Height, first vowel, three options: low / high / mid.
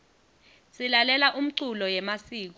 high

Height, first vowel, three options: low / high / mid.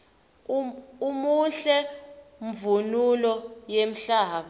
high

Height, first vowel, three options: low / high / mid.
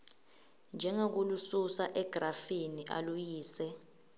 mid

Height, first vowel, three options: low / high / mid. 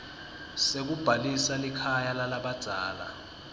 mid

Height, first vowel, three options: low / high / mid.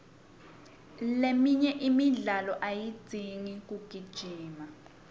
mid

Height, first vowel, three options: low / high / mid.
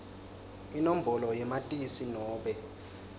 high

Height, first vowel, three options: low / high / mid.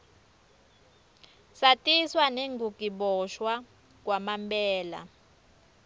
low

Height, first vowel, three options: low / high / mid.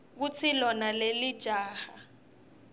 high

